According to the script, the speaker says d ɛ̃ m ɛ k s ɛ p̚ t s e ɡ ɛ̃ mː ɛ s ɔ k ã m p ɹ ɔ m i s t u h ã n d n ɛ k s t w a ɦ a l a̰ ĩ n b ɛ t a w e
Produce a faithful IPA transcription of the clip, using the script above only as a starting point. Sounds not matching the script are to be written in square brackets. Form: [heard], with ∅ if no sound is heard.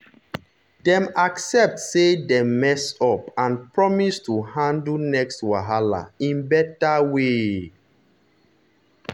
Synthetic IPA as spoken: d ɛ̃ m [a] k s ɛ p̚ t s e [d] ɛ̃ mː ɛ s ɔ [p] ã [n] p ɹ ɔ m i s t u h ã n d n ɛ k s t w a ɦ a l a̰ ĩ n b ɛ t a w e